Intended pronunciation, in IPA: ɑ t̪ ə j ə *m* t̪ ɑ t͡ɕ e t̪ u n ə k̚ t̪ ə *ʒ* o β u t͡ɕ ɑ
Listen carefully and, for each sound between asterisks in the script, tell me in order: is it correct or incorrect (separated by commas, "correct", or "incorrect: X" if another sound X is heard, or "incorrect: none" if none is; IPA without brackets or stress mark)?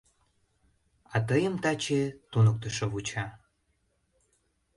correct, incorrect: ʃ